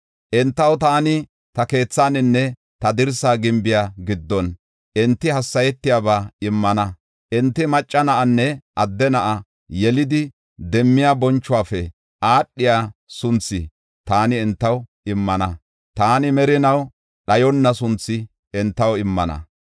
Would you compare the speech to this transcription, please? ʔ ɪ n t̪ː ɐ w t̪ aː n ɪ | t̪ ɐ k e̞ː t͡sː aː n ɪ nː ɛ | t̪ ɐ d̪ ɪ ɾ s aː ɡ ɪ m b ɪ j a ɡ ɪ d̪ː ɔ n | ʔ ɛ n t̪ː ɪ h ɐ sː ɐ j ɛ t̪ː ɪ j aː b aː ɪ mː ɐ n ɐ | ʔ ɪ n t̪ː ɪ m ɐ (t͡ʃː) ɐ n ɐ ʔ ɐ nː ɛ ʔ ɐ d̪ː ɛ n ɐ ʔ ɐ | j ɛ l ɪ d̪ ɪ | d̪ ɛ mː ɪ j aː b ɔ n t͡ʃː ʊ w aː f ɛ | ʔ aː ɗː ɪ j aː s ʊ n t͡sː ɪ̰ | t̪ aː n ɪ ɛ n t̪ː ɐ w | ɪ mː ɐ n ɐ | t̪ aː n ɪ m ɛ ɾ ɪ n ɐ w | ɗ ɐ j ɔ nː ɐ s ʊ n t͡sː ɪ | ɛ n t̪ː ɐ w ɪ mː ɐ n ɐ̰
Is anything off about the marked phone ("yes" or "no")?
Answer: yes